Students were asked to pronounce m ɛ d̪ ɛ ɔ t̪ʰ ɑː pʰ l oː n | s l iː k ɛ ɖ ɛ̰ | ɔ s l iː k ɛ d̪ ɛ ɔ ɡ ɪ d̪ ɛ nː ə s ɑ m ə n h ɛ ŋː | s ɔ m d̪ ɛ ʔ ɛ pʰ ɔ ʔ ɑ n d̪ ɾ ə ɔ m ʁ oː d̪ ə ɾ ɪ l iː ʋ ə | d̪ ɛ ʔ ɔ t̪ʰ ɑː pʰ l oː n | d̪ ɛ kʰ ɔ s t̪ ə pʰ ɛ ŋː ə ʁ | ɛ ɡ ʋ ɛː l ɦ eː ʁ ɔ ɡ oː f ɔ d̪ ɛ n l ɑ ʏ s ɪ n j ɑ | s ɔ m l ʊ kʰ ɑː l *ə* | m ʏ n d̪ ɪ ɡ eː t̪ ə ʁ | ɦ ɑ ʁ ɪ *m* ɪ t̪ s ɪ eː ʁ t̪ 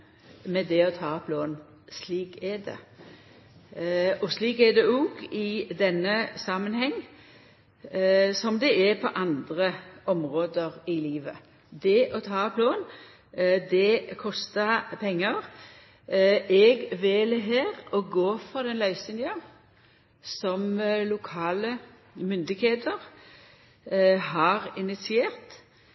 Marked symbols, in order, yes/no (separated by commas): yes, no